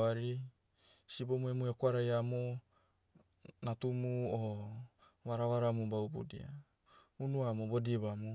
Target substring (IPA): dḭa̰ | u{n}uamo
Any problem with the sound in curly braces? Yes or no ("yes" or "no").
no